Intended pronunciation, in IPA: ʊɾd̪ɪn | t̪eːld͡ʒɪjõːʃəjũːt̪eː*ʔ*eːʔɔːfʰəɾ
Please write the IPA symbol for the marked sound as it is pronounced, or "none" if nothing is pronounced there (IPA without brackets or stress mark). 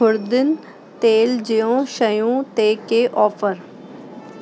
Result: k